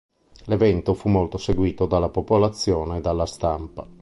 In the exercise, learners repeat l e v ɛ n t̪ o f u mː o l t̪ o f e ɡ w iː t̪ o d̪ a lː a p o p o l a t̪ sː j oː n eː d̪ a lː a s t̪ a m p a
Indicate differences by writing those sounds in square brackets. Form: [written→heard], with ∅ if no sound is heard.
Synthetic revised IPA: l e v ɛ n t̪ o f u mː o l t̪ o [f→s] e ɡ w iː t̪ o d̪ a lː a p o p o l a t̪ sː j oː n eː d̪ a lː a s t̪ a m p a